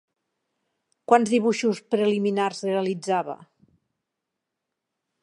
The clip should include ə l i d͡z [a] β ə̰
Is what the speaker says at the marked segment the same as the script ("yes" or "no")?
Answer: yes